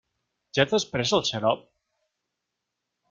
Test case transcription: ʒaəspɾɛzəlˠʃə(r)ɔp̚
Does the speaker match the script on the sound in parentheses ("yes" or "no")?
no